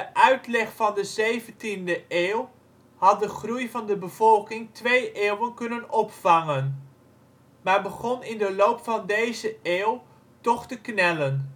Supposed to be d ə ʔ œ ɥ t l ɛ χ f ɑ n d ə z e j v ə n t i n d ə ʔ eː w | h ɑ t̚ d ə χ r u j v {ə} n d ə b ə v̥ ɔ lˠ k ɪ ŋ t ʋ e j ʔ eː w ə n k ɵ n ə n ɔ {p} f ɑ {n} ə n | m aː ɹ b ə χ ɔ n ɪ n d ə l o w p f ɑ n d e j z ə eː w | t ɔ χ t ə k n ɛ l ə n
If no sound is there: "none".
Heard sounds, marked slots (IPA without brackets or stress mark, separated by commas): ɑ, p, ŋ